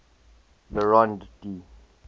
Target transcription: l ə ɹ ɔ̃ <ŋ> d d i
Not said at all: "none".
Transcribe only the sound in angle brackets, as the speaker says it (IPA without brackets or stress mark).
n